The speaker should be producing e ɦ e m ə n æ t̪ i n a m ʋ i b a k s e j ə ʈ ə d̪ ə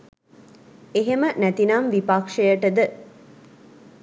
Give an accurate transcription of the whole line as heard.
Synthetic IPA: e ɦ e m ə n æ t̪ i n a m ʋ i p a k ʂ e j ə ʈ ə d̪ ə